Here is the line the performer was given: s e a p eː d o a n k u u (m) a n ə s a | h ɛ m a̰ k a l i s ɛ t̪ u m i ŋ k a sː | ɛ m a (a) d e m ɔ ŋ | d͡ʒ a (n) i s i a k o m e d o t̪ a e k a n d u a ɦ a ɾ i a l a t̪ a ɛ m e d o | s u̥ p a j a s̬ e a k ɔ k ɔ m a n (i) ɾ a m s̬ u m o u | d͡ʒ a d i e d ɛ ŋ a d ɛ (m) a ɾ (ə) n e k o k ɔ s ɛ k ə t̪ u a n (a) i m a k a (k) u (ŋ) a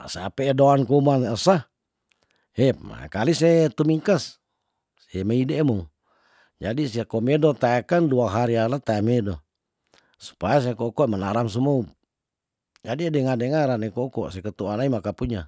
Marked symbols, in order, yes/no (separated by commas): yes, no, no, no, no, no, yes, no, no